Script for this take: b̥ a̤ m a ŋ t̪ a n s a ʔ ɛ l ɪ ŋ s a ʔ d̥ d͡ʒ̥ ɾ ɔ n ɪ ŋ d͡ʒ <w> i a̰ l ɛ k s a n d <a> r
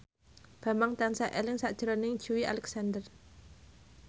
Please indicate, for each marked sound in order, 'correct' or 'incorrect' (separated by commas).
incorrect, incorrect